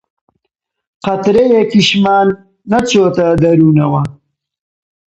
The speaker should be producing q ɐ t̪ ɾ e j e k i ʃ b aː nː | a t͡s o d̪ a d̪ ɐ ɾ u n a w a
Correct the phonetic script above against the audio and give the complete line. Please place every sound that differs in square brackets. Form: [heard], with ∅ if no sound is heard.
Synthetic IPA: q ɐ t̪ ɾ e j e k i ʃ [m] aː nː | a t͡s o [t̪] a d̪ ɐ ɾ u n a w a